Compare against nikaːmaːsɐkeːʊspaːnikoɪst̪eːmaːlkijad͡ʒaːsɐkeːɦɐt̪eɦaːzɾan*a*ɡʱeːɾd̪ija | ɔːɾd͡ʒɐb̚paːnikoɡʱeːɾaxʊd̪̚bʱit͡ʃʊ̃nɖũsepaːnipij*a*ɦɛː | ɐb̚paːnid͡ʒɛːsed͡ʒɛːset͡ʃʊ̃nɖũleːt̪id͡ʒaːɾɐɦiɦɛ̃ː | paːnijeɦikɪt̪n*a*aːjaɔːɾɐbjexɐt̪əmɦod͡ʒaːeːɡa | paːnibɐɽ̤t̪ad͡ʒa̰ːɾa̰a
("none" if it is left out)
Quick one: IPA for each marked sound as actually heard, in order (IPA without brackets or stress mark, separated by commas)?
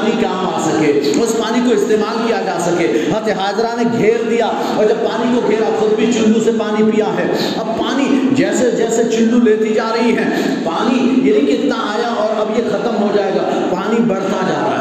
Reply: e, a, a